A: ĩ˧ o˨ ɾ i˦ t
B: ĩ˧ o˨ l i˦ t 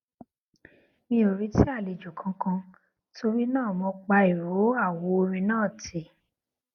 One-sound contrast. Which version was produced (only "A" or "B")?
A